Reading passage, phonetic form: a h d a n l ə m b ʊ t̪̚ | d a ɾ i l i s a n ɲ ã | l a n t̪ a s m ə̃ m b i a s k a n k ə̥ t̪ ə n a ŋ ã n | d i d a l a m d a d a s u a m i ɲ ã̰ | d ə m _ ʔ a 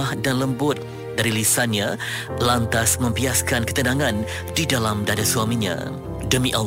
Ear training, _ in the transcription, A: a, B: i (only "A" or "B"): B